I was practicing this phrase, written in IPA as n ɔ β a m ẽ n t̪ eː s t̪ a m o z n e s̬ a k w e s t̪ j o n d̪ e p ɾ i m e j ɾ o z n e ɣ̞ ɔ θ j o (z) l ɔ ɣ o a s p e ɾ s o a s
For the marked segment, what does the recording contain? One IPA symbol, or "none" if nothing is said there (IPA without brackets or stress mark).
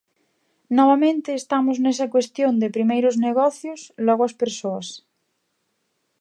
s